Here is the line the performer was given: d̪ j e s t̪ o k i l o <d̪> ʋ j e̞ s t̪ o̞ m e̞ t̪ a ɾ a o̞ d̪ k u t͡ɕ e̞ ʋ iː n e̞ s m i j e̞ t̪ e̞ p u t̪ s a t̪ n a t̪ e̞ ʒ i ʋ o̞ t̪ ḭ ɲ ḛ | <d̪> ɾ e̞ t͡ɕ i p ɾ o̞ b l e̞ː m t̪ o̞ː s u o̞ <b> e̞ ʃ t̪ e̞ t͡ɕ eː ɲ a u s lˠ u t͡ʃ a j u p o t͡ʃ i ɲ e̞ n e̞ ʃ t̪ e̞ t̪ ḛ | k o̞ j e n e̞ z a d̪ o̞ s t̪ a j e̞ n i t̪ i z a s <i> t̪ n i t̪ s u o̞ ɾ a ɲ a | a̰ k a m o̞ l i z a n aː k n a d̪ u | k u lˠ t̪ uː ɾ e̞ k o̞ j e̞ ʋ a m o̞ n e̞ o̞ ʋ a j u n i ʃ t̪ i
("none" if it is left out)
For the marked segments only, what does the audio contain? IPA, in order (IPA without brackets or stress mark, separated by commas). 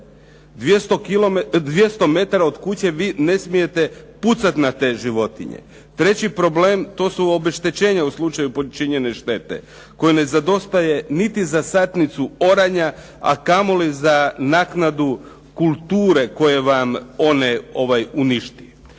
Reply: d̪, t̪, b, a